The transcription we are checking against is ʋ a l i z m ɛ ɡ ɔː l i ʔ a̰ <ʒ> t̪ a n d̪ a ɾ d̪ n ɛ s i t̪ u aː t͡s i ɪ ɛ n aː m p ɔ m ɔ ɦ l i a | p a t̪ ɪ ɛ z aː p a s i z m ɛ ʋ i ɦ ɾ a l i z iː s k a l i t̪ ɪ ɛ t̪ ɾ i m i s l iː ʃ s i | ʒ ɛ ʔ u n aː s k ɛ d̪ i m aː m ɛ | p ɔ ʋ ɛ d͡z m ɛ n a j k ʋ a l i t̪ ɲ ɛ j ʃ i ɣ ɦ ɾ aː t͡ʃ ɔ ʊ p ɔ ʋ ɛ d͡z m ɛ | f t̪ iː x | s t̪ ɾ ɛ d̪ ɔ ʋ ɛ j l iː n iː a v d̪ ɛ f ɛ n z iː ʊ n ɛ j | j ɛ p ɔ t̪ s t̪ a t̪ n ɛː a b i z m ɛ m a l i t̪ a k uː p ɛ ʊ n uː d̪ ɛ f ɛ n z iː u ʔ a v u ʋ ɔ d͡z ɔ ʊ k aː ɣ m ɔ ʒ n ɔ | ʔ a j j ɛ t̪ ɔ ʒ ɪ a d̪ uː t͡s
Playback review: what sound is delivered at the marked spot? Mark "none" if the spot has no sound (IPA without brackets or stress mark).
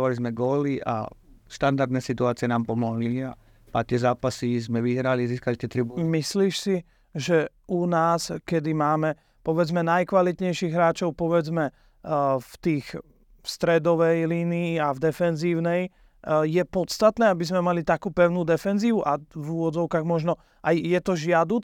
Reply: ʃ